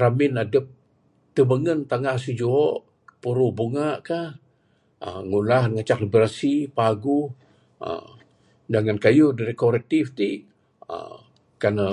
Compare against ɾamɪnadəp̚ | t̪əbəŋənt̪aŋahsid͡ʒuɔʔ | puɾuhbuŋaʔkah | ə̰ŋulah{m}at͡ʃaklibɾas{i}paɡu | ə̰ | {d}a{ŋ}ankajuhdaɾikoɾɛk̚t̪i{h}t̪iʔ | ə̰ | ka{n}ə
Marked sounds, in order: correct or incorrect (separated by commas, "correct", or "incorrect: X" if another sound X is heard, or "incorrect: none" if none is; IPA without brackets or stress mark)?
incorrect: ŋ, correct, incorrect: d͡ʒ, correct, incorrect: f, correct